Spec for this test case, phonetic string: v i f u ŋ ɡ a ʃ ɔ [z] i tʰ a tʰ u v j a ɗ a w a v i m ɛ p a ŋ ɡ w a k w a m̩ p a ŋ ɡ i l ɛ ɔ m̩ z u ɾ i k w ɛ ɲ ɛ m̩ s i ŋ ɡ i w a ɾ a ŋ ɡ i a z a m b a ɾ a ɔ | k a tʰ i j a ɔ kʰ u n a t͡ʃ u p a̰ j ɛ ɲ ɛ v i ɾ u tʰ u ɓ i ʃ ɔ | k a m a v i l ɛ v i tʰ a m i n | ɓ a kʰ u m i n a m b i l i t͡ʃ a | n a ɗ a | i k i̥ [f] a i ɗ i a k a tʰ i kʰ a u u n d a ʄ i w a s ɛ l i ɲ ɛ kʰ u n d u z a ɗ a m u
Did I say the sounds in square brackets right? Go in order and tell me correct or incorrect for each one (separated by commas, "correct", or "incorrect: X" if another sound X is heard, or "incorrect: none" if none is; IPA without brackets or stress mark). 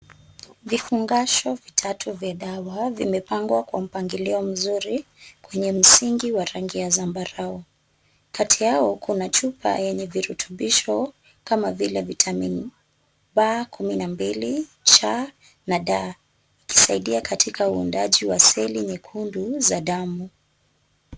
incorrect: v, incorrect: s